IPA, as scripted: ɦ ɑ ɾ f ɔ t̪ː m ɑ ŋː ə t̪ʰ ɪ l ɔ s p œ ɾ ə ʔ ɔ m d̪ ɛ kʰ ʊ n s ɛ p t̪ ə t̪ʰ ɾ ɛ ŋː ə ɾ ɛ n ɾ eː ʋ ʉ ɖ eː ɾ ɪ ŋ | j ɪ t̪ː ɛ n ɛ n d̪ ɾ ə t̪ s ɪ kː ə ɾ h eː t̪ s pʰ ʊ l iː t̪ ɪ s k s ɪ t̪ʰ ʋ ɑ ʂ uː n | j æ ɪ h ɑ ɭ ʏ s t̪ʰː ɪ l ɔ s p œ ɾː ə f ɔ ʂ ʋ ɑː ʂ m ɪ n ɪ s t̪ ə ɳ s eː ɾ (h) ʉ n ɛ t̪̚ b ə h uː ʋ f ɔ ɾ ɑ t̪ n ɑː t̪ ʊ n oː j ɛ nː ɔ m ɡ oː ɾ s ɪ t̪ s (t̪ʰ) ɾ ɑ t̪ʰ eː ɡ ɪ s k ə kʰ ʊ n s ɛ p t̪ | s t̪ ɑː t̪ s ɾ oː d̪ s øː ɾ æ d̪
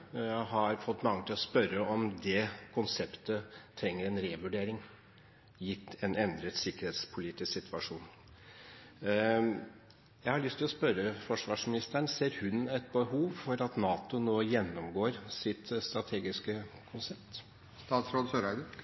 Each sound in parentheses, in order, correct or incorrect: correct, incorrect

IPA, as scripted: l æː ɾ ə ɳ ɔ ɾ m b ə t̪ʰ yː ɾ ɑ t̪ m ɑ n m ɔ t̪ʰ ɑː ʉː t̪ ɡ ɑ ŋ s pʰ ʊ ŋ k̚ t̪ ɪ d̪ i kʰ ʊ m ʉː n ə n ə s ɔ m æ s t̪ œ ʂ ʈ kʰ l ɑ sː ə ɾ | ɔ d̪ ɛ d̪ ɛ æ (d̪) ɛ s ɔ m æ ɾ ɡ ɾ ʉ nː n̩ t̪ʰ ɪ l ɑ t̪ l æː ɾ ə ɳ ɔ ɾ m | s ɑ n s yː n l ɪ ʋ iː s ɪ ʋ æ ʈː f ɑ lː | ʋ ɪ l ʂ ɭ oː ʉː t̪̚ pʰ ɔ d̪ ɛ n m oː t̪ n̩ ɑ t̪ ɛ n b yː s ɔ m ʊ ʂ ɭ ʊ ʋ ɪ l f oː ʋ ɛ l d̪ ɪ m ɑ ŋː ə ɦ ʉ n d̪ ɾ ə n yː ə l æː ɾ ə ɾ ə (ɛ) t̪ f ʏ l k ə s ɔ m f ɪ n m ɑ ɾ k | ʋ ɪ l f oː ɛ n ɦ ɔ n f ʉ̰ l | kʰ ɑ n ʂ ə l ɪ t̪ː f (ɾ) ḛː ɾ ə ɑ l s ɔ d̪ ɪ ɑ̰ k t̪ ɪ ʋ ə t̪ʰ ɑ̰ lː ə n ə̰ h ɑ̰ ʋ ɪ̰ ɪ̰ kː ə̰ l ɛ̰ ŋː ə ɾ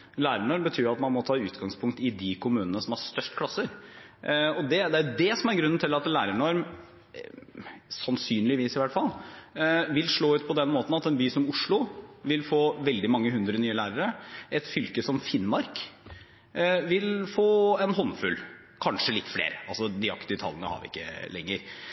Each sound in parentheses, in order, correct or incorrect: correct, correct, incorrect

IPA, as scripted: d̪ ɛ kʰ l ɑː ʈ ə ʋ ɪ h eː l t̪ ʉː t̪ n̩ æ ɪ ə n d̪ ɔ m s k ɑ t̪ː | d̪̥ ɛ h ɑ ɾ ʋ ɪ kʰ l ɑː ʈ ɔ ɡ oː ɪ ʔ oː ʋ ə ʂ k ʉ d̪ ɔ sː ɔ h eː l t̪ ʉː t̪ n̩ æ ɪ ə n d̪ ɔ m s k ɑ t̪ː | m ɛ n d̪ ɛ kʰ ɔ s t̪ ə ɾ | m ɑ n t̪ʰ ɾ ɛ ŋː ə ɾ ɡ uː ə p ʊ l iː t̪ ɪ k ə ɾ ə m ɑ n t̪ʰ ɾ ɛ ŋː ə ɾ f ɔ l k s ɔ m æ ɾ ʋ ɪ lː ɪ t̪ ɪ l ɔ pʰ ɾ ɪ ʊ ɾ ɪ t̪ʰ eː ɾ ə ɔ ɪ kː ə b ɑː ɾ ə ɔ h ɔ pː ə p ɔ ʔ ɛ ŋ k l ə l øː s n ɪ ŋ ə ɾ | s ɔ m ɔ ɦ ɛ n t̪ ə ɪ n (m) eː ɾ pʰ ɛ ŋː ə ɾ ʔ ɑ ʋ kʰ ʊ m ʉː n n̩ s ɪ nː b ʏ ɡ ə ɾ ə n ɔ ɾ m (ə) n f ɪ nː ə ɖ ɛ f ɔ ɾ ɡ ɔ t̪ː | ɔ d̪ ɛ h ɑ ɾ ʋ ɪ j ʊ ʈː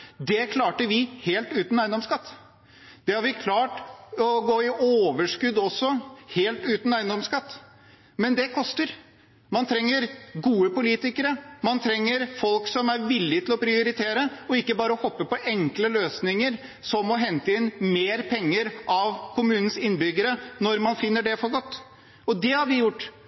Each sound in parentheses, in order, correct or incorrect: correct, incorrect

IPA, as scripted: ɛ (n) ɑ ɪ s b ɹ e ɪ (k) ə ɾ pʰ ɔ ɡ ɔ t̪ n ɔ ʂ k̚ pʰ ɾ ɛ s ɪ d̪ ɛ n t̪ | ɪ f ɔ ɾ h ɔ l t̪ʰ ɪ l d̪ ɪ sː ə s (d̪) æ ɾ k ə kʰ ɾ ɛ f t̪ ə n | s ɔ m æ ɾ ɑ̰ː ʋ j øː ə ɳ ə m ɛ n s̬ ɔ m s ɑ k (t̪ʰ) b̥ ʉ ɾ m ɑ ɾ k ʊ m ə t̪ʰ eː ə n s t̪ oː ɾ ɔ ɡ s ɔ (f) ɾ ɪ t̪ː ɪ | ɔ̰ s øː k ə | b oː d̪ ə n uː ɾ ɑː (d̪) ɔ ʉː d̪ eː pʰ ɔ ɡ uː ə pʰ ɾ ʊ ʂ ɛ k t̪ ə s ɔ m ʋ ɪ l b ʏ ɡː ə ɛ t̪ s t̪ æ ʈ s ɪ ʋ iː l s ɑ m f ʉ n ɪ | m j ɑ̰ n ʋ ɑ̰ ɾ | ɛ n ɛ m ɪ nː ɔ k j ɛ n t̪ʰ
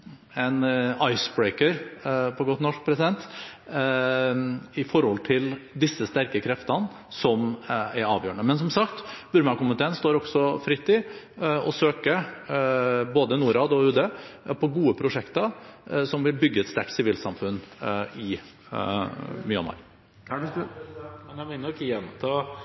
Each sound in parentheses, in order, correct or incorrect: correct, correct, incorrect, incorrect, correct, correct

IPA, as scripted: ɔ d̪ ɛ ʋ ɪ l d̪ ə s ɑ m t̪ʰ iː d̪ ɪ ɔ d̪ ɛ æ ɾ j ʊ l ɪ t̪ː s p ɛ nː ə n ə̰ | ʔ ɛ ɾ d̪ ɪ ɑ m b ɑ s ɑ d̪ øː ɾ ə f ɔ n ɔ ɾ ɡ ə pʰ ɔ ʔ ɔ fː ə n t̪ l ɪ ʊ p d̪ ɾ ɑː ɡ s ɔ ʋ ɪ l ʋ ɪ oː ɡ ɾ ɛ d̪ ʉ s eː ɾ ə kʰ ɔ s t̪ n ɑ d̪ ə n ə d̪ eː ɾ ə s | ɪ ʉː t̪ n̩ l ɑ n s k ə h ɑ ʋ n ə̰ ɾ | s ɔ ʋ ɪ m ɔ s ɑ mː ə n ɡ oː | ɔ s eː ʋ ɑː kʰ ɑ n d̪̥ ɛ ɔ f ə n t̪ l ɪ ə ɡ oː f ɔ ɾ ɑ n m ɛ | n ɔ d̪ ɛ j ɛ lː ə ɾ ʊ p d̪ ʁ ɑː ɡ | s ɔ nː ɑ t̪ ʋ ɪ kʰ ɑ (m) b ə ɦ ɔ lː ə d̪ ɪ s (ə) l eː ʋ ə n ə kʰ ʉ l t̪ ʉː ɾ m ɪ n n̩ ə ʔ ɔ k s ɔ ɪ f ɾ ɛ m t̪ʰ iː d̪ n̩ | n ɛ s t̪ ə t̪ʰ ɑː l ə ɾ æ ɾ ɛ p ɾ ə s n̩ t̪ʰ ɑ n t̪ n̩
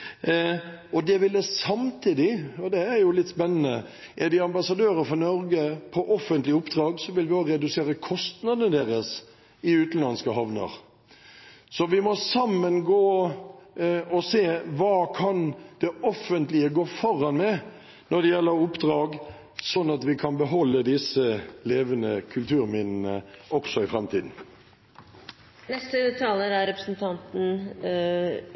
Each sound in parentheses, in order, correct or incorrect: incorrect, correct

